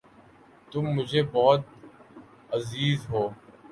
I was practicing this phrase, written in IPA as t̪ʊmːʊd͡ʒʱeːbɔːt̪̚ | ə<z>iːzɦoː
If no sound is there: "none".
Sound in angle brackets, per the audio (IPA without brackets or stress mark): z